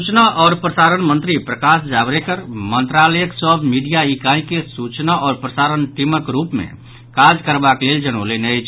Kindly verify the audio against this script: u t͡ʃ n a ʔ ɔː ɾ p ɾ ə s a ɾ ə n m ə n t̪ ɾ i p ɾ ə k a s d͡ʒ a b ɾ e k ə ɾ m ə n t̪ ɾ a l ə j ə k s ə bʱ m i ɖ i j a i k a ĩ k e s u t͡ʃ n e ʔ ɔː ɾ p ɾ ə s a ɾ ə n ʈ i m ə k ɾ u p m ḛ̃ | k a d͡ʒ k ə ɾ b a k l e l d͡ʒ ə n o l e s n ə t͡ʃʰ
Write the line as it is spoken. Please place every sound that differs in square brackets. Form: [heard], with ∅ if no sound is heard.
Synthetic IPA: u t͡ʃ n a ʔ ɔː ɾ p ɾ ə s a ɾ ə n m ə n t̪ ɾ i p ɾ ə k a s d͡ʒ a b ɾ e k ə ɾ m ə n t̪ ɾ a l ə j ə k s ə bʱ m i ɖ i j a i k a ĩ k e s u t͡ʃ n [a] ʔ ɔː ɾ p ɾ ə s a ɾ ə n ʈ i m ə k ɾ u p m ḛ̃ | k a d͡ʒ k ə ɾ b a k l e l d͡ʒ ə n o l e [∅] n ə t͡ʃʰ